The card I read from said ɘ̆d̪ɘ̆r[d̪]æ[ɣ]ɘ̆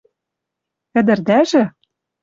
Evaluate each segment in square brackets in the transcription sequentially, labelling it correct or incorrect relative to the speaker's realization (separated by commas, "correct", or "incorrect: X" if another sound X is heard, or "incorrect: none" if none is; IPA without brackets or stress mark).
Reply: correct, incorrect: ʒ